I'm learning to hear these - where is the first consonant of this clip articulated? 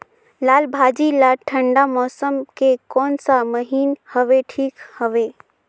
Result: tongue tip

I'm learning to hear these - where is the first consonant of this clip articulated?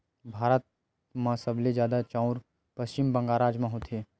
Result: lips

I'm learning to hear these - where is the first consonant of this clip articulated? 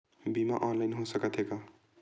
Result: lips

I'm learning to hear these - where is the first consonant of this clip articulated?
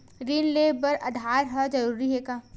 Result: tongue tip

